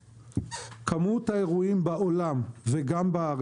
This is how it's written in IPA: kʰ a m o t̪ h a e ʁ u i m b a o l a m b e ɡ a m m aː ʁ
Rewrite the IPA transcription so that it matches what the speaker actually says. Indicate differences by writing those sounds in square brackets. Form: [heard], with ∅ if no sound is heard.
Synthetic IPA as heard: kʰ a m [u] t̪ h a e ʁ u i m b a o l a m [v] e ɡ a m [b] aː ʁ